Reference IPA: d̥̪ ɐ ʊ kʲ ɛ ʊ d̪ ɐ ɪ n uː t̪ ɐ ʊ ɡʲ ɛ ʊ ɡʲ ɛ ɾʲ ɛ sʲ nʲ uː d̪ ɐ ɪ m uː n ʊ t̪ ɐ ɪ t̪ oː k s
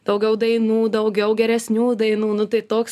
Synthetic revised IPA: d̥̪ ɐ ʊ ɡʲ ɛ ʊ d̪ ɐ ɪ n uː d̪ ɐ ʊ ɡʲ ɛ ʊ ɡʲ ɛ ɾʲ ɛ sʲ nʲ uː d̪ ɐ ɪ n uː n ʊ t̪ ɐ ɪ t̪ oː k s